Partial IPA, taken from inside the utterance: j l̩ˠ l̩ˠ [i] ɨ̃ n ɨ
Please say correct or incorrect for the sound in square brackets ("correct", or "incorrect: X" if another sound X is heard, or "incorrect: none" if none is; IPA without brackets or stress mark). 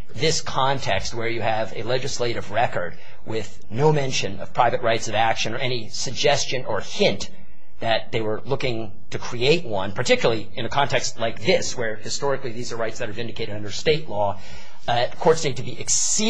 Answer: correct